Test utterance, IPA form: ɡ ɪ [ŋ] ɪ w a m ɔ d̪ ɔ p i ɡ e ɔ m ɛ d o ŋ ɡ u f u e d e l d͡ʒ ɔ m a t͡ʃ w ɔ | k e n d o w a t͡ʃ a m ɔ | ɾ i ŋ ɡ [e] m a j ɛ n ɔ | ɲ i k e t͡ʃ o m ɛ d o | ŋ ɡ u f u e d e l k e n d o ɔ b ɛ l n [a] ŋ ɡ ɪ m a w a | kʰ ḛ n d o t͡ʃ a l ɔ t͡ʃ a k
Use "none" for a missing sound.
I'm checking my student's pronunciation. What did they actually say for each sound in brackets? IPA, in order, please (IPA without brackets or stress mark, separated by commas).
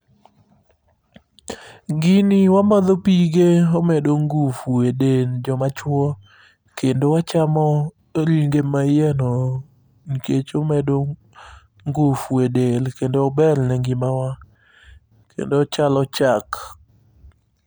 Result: n, e, ɛ